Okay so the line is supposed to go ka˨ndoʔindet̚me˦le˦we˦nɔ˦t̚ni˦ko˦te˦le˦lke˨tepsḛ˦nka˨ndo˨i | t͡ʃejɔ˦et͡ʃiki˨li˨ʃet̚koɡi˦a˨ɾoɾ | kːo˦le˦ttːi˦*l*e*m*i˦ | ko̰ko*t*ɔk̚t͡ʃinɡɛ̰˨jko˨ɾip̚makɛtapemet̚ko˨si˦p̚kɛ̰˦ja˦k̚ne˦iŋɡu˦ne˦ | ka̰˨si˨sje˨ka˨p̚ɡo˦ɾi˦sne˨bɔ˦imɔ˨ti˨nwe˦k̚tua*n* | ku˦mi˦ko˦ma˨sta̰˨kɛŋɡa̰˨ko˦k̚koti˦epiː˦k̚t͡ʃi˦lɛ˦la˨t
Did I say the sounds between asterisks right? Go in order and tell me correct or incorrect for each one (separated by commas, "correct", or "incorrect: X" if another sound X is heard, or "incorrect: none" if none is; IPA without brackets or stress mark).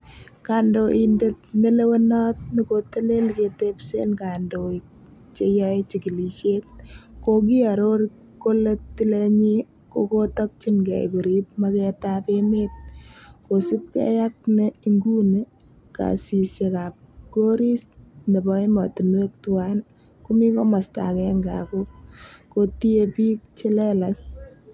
correct, incorrect: ɲ, correct, correct